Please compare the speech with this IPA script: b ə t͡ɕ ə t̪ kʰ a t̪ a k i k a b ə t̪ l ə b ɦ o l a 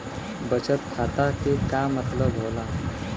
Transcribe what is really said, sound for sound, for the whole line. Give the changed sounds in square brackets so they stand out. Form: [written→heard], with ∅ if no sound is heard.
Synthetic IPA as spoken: b ə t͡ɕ ə t̪ kʰ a t̪ a k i k a [b→m] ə t̪ l ə b ɦ o l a